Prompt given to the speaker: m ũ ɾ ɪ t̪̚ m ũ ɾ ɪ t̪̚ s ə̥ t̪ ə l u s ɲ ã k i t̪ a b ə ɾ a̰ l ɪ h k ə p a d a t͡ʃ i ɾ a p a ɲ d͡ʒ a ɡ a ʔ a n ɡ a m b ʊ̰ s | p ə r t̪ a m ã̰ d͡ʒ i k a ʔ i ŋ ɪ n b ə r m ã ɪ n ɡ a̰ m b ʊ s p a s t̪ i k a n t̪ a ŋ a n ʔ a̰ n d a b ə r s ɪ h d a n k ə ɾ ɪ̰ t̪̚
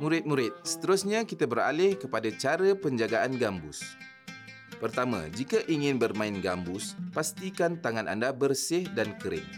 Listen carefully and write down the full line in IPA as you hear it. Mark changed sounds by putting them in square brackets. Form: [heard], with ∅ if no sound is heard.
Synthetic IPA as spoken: m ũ ɾ ɪ t̪̚ m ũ ɾ ɪ t̪̚ s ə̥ t̪ ə [ɾ] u s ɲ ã k i t̪ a b ə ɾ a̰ l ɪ h k ə p a d a t͡ʃ [a] ɾ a p [ə] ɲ d͡ʒ a ɡ a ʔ a n ɡ a m b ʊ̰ s | p ə r t̪ a m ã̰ d͡ʒ i k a ʔ i ŋ ɪ n b ə r m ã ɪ n ɡ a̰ m b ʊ s p a s t̪ i k a n t̪ a ŋ a n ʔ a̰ n d a b ə r s ɪ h d a n k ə ɾ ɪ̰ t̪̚